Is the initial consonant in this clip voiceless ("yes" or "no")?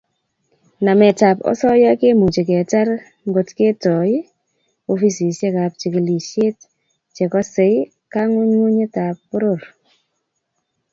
no